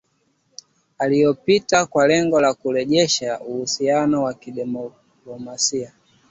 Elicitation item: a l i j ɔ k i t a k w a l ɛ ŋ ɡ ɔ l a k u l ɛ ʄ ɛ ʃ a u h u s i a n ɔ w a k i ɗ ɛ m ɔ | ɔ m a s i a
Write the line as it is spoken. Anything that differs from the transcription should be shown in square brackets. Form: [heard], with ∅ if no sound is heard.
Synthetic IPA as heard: a l i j ɔ [p] i t a k w a l ɛ ŋ ɡ ɔ l a k u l ɛ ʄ ɛ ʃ a u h u s i a n ɔ w a k i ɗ ɛ m ɔ | ɔ m a s i a